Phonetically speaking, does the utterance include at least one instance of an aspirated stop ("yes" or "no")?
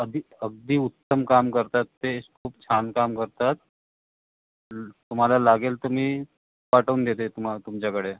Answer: yes